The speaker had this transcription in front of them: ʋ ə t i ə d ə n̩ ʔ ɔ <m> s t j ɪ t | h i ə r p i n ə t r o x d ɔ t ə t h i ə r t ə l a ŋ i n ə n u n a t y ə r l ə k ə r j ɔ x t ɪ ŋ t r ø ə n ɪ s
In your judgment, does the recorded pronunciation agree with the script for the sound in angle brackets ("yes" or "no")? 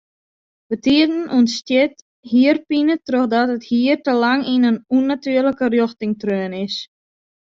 no